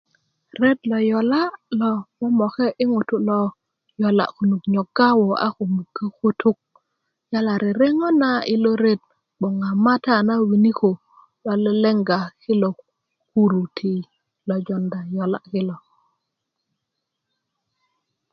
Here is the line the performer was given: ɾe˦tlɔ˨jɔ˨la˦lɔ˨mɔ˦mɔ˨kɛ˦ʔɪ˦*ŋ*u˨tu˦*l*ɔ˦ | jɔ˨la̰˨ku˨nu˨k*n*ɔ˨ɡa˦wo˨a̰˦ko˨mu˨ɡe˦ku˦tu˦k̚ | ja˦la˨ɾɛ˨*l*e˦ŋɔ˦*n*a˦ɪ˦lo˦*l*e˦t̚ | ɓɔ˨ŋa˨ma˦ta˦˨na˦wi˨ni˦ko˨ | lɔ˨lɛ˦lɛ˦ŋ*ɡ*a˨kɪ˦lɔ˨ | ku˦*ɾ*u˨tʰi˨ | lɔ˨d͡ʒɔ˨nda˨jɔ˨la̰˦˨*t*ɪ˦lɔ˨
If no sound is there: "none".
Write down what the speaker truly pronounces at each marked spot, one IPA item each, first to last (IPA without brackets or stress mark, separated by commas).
ŋ, l, ɲ, ɾ, n, ɾ, ɡ, ɾ, k